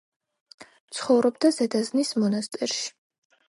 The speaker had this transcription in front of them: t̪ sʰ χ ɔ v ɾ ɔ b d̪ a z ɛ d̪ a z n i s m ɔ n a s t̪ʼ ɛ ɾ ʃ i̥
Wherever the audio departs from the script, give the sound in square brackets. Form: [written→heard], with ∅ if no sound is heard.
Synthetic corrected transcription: t̪ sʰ χ ɔ v ɾ ɔ b d̪ a z ɛ d̪ a z n i s m ɔ n a s t̪ʼ ɛ ɾ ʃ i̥